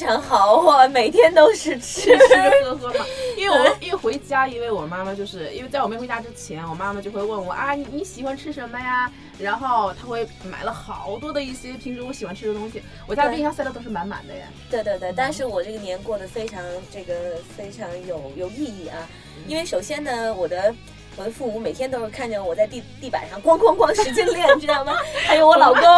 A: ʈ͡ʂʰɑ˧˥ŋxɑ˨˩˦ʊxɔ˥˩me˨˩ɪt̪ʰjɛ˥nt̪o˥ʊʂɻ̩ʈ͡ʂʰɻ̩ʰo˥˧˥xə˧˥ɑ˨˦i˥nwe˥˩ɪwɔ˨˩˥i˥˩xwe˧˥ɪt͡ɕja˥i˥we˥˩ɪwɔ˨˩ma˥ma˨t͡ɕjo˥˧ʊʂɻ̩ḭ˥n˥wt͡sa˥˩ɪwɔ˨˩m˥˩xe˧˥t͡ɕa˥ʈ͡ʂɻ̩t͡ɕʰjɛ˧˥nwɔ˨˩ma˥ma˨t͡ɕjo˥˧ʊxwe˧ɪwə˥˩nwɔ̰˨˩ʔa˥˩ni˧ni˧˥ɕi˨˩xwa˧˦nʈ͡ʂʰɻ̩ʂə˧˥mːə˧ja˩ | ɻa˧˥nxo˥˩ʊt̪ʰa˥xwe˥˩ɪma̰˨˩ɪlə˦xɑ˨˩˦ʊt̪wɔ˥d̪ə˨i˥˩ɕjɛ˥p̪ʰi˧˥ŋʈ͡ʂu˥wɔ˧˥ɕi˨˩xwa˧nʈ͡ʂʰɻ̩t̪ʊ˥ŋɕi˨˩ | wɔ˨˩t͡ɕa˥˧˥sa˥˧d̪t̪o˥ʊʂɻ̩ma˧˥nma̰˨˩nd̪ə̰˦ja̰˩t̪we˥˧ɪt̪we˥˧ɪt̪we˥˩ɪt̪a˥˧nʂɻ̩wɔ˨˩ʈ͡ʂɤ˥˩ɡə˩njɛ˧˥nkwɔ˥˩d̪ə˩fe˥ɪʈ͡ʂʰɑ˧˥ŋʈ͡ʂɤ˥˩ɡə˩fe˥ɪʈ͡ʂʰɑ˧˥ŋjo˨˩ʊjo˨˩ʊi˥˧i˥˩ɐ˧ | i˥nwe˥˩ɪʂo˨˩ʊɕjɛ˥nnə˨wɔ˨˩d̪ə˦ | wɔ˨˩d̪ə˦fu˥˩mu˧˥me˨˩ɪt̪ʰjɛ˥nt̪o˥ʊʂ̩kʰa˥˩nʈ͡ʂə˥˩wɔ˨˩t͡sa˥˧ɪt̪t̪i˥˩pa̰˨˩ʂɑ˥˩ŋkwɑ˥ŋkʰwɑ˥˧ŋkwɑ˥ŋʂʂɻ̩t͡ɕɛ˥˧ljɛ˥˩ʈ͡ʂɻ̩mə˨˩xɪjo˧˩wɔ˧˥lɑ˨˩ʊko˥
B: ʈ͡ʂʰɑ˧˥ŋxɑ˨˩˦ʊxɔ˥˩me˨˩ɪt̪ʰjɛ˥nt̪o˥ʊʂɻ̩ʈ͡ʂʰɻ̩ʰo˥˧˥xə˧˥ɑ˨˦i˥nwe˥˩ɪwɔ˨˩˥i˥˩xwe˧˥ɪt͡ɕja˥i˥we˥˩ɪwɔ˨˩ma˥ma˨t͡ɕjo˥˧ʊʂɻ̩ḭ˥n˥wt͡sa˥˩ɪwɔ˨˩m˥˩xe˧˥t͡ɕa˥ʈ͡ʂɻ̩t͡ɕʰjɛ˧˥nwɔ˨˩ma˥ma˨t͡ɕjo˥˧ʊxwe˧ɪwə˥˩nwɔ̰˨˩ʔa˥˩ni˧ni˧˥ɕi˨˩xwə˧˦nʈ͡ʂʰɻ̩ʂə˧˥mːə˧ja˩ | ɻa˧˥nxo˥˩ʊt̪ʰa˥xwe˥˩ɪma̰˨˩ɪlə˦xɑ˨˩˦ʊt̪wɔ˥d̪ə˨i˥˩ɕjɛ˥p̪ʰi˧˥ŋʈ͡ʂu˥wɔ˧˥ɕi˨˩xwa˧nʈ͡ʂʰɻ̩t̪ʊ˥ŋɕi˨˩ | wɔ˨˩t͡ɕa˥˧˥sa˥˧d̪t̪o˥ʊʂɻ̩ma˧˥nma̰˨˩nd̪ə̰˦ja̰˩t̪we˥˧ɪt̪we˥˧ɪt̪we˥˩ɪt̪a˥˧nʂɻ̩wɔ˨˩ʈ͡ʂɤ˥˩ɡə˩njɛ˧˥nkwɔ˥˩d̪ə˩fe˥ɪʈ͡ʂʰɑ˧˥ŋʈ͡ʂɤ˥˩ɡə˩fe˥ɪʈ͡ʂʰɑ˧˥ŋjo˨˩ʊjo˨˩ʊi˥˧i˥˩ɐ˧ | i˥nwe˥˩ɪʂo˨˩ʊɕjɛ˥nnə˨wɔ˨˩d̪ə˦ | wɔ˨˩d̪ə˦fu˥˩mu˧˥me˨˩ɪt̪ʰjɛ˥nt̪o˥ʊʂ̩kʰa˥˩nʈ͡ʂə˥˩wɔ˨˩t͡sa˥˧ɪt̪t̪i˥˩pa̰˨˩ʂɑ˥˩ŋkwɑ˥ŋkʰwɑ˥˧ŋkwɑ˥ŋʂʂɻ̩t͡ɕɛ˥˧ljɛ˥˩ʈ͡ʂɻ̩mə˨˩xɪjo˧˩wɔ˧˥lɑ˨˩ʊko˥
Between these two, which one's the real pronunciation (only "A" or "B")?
A